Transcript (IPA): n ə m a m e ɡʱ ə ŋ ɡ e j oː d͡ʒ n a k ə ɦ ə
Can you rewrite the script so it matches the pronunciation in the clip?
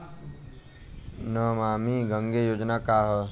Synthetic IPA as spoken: n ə m a m i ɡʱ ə ŋ ɡ e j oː d͡ʒ n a k a ɦ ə